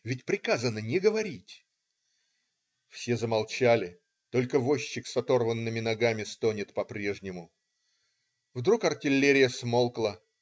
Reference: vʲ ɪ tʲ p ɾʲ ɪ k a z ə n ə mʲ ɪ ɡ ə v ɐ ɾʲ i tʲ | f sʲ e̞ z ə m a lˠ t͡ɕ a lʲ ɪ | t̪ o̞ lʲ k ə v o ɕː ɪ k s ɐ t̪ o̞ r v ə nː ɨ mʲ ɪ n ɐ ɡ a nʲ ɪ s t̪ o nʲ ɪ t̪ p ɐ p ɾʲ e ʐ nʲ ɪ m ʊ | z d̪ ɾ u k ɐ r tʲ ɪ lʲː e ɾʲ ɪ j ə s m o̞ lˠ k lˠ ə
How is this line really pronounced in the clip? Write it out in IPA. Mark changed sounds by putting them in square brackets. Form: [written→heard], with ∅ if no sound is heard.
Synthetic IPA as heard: vʲ ɪ tʲ p ɾʲ ɪ k a z ə n ə [mʲ→nʲ] ɪ ɡ ə v ɐ ɾʲ i tʲ | f sʲ e̞ z ə m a lˠ t͡ɕ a lʲ ɪ | t̪ o̞ lʲ k ə v o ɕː ɪ k s ɐ t̪ o̞ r v ə nː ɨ mʲ ɪ n ɐ ɡ a [nʲ→mʲ] ɪ s t̪ o nʲ ɪ t̪ p ɐ p ɾʲ e ʐ nʲ ɪ m ʊ | [z→v] d̪ ɾ u k ɐ r tʲ ɪ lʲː e ɾʲ ɪ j ə s m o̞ lˠ k lˠ ə